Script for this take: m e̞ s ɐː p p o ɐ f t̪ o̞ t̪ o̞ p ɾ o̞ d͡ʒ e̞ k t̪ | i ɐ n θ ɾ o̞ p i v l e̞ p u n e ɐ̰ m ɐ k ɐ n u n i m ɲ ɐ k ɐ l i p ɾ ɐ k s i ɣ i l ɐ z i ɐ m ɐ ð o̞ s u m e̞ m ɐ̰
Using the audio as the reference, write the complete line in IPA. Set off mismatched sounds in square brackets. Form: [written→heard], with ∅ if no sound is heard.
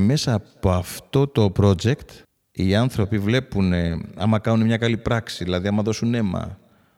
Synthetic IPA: m e̞ s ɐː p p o ɐ f t̪ o̞ t̪ o̞ p ɾ o̞ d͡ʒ e̞ k t̪ | i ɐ n θ ɾ o̞ p i v l e̞ p u n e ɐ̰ m ɐ k ɐ n u n [i→e] m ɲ ɐ k ɐ l i p ɾ ɐ k s i [ɣ→ð] i l ɐ [z→ð] i ɐ m ɐ ð o̞ s u [m→n] e̞ m ɐ̰